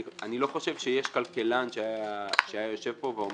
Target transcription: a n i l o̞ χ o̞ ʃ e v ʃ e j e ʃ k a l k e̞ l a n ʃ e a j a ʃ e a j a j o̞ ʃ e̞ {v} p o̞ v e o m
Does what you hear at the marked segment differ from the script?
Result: no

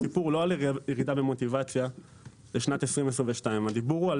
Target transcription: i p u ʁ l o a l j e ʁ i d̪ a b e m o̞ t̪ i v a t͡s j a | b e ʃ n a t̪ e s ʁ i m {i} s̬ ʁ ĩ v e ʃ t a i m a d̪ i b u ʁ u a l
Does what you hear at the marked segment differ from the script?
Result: yes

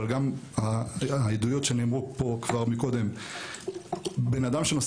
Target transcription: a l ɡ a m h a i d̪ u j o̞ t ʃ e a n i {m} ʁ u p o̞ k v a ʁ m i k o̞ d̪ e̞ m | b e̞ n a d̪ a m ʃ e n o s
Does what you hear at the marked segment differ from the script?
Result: no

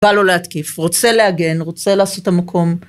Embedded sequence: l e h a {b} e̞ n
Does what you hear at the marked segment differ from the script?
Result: yes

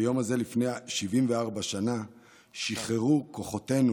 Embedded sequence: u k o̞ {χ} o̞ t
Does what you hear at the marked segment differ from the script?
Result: no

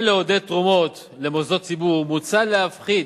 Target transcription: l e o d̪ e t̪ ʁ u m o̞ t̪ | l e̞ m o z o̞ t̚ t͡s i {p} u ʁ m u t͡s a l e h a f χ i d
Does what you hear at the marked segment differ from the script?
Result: yes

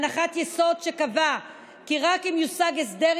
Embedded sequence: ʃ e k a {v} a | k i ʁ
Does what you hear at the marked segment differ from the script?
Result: no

